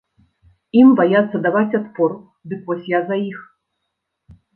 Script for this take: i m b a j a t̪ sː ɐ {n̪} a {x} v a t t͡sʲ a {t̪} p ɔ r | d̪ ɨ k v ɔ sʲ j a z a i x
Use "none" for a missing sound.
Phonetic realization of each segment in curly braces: d̪, none, t̪

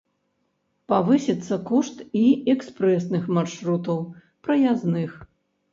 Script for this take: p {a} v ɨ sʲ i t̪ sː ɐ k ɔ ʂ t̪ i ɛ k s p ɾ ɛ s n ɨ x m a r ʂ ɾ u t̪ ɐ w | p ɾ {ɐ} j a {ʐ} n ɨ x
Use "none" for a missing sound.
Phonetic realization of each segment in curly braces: a, ɐ, z

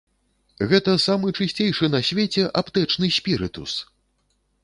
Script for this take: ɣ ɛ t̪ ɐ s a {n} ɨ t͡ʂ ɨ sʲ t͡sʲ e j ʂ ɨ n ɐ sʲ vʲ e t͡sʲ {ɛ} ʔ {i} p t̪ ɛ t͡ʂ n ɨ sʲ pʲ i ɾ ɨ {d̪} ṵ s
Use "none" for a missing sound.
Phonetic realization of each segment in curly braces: m, ɛ, a, t̪

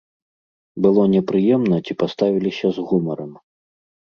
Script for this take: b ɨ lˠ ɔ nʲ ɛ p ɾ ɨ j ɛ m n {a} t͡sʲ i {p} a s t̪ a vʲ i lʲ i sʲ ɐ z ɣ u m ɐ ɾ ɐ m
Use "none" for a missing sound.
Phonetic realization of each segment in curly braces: ɐ, p

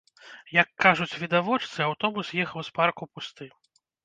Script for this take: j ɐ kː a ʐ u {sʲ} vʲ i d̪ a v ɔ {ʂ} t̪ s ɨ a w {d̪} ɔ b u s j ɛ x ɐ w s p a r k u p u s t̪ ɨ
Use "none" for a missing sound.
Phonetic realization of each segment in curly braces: t͡sʲ, t͡ʂ, t̪

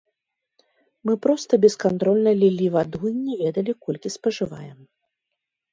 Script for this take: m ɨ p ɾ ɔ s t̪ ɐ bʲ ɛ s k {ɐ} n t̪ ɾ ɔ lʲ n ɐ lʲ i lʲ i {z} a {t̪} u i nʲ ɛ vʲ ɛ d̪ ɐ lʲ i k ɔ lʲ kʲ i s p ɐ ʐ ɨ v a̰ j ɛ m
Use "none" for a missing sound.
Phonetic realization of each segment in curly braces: a, v, d̪

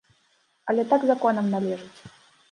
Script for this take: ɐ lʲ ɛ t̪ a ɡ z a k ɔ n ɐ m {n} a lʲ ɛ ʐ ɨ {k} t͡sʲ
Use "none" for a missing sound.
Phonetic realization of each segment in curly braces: n, none

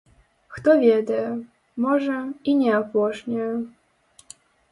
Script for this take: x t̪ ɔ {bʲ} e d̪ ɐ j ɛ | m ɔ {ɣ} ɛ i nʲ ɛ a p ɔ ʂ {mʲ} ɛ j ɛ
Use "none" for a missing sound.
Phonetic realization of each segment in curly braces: vʲ, ʐ, nʲ

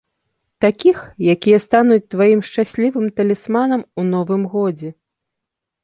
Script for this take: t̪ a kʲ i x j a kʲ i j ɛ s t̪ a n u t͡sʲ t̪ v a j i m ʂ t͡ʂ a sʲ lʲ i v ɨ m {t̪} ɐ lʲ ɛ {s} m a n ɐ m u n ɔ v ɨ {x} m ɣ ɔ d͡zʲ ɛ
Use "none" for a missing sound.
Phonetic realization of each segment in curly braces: t̪, s, none

